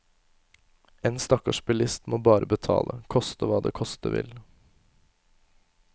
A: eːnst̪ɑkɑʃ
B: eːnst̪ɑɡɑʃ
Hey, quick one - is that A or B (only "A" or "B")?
A